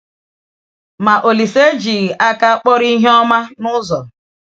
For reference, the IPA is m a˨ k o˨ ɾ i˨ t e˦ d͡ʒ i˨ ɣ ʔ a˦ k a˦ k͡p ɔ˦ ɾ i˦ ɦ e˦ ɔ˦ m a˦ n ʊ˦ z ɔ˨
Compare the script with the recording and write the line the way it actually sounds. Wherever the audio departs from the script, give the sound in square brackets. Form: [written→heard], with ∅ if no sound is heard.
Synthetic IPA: m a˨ [k→ʔ] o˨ [ɾ→l] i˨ [t→s] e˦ d͡ʒ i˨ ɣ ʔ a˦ k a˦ k͡p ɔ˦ ɾ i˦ ɦ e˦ ɔ˦ m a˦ n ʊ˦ z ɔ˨